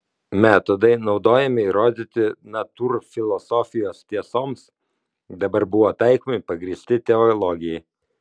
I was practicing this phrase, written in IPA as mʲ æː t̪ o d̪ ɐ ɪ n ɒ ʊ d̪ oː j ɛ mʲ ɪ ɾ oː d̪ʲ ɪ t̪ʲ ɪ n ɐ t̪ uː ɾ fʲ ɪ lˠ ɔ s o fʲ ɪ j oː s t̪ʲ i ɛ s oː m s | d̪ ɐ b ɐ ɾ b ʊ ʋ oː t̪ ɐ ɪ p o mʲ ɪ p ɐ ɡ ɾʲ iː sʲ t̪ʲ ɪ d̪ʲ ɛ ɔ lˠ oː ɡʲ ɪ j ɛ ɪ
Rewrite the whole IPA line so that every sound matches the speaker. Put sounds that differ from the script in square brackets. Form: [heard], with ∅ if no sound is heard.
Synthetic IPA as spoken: mʲ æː t̪ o d̪ ɐ ɪ n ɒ ʊ d̪ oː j ɛ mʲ ɪ ɾ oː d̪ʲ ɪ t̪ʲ ɪ n ɐ t̪ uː ɾ fʲ ɪ lˠ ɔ s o fʲ ɪ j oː s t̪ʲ i ɛ s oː m s | d̪ ɐ b ɐ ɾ b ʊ ʋ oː t̪ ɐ ɪ [k] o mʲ ɪ p ɐ ɡ ɾʲ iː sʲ t̪ʲ ɪ [t̪ʲ] ɛ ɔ lˠ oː ɡʲ ɪ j ɛ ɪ